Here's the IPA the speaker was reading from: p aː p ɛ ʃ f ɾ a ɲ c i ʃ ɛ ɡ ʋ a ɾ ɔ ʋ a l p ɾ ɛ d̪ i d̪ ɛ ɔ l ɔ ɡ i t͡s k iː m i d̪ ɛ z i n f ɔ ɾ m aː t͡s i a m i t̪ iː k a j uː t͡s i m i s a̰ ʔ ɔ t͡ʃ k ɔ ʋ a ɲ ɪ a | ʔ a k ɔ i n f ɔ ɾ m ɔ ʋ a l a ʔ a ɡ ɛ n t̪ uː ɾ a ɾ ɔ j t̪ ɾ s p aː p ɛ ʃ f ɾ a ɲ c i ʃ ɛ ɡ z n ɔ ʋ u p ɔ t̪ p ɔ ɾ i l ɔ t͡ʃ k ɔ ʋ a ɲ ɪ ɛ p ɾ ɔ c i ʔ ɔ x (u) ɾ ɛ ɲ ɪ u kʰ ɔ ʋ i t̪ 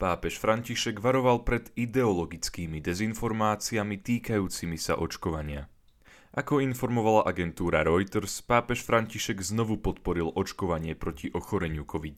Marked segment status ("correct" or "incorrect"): incorrect